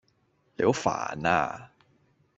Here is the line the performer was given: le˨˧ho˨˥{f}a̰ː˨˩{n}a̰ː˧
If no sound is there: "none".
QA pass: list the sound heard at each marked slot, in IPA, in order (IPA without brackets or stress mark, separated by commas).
f, n